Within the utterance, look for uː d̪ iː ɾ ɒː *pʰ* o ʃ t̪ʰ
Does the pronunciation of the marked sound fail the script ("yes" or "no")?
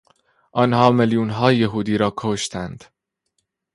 yes